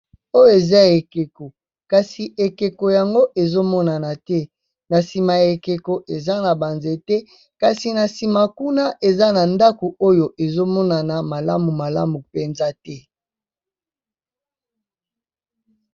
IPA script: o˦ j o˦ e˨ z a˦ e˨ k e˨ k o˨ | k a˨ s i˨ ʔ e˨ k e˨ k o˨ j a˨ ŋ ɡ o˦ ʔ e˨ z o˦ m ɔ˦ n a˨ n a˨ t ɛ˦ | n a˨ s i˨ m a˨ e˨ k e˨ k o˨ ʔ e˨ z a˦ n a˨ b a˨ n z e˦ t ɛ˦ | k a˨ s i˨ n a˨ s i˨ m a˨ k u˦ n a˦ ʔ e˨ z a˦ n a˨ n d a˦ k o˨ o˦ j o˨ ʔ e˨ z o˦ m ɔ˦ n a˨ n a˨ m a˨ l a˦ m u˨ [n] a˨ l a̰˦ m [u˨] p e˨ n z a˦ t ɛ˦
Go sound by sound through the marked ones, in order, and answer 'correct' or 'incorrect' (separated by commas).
incorrect, correct